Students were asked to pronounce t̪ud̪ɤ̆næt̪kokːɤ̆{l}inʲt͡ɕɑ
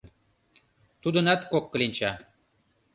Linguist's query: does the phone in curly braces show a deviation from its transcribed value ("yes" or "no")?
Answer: no